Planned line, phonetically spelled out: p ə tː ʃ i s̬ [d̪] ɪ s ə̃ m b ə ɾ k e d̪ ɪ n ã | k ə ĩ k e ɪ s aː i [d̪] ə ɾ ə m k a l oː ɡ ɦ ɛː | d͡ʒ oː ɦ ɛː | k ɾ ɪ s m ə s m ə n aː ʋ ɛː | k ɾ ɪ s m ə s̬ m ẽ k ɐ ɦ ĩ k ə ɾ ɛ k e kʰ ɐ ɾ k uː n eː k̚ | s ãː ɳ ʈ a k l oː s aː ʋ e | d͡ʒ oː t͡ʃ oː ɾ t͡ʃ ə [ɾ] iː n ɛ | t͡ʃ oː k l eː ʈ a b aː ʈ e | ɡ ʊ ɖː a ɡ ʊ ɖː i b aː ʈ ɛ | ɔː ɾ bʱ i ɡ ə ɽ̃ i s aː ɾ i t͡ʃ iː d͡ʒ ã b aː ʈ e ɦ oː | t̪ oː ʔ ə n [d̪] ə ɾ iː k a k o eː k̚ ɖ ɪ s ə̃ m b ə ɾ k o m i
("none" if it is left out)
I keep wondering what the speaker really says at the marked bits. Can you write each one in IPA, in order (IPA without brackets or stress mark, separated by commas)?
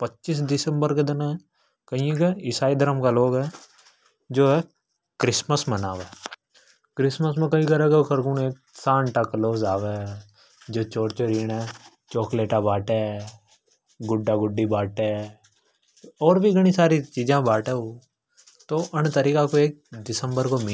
d̪, d̪, ɾ, t̪